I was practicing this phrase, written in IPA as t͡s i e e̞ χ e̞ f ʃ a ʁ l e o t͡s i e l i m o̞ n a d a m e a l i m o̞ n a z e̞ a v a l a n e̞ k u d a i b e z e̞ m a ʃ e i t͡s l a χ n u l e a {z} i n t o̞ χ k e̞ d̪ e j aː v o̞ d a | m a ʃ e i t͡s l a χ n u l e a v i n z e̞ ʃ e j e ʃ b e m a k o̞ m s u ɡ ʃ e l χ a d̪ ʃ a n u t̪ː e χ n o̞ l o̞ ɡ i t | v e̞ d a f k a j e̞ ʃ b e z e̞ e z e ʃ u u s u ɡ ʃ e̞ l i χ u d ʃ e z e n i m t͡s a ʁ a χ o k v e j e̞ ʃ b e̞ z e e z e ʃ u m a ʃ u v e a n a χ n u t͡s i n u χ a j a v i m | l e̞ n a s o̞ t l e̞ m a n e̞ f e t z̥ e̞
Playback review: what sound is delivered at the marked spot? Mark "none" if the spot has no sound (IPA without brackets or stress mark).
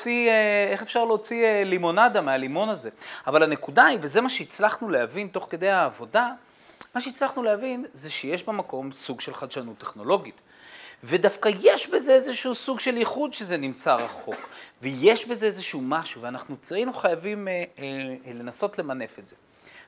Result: v